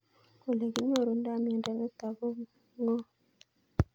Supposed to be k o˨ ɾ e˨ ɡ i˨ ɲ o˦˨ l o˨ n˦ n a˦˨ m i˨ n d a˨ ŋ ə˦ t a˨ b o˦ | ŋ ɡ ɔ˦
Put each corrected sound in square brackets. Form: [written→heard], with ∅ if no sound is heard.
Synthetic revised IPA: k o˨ [ɾ→l] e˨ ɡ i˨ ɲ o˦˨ [l→ɾ] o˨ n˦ [n→d] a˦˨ m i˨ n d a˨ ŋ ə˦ t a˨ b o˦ | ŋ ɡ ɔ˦